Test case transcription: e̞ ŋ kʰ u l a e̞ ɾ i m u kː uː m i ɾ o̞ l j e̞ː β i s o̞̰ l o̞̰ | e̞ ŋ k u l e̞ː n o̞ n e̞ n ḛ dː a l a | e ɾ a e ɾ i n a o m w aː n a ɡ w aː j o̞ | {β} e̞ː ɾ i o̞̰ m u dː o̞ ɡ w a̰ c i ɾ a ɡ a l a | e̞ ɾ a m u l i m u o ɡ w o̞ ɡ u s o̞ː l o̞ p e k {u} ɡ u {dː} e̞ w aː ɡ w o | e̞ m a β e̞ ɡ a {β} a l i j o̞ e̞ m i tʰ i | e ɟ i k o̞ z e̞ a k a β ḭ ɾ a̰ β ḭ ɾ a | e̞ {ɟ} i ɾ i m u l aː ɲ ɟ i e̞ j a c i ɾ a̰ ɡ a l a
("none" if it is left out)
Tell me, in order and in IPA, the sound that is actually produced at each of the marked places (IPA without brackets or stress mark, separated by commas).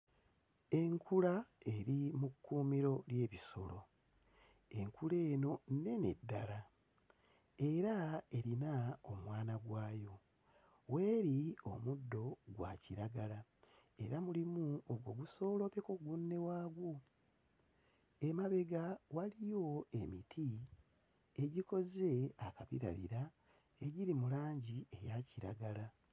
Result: w, o, nː, w, ɟ